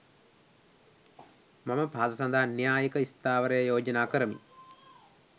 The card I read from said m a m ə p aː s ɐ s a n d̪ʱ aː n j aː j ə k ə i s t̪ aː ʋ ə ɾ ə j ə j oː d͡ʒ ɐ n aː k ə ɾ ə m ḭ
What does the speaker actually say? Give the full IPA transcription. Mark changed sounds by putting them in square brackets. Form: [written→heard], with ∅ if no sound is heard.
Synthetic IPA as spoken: m a m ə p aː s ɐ s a n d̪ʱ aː n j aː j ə k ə i s t̪ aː ʋ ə ɾ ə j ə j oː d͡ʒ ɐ n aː k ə ɾ ə m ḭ